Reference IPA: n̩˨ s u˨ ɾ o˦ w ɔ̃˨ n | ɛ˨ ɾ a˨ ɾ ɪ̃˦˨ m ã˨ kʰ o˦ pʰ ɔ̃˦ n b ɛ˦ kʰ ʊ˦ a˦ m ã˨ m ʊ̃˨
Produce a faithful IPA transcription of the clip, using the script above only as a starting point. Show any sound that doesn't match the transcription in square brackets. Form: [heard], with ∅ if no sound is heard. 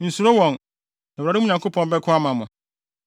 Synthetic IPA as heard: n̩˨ s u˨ ɾ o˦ w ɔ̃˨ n | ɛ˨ ɾ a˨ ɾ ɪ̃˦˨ [ɲ] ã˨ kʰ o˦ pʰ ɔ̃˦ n b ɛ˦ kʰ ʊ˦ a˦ m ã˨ m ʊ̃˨